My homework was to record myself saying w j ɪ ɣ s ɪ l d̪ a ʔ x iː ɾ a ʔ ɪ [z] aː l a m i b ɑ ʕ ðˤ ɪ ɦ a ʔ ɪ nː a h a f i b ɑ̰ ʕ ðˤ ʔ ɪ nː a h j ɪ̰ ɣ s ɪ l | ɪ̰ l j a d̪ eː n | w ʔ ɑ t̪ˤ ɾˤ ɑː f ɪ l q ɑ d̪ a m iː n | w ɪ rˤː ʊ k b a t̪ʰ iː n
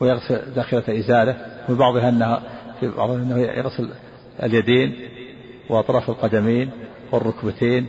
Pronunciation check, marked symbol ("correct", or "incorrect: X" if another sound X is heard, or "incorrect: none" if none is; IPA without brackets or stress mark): correct